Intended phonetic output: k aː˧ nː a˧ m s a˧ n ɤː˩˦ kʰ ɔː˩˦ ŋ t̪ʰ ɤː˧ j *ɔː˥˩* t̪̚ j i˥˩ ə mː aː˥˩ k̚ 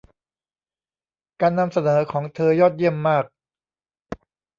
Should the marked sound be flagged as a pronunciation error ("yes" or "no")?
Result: no